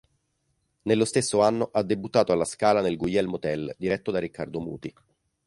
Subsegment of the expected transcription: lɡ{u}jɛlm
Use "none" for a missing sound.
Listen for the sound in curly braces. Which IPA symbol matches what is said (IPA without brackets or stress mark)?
u